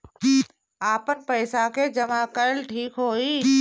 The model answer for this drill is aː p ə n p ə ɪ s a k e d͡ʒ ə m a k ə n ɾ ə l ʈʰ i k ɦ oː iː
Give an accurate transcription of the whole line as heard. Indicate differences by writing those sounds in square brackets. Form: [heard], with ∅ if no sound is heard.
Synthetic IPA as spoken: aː p ə n p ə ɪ s a k e d͡ʒ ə m a k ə [∅] ɾ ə l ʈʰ [iː] k ɦ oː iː